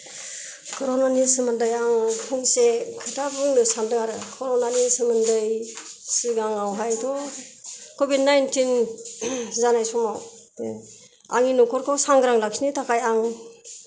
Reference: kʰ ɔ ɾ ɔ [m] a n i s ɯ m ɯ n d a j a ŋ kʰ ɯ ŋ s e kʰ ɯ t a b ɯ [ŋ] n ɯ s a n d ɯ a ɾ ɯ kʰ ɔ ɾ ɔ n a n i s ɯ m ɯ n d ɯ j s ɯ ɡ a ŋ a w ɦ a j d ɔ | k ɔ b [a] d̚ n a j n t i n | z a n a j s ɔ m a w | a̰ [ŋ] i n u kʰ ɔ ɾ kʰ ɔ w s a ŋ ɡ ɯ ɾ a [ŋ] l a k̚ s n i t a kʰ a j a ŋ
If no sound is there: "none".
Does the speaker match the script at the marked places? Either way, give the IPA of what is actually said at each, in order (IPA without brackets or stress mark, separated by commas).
n, ŋ, i, ŋ, ŋ